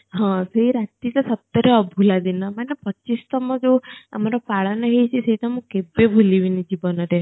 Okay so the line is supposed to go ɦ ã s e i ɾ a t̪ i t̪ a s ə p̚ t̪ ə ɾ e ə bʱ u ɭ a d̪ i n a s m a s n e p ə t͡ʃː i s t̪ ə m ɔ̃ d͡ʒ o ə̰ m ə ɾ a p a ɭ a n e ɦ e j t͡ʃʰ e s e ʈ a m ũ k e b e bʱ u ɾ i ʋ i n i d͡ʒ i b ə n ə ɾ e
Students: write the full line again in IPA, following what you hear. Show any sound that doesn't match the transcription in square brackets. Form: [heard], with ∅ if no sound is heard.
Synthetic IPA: ɦ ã s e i ɾ a t̪ i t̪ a s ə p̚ t̪ ə ɾ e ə bʱ u [l] a d̪ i n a [∅] m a [∅] n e p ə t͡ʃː i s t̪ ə m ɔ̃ d͡ʒ o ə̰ m [a] ɾ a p a ɭ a n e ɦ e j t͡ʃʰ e s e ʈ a m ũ k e b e bʱ u [l] i ʋ i n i d͡ʒ i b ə n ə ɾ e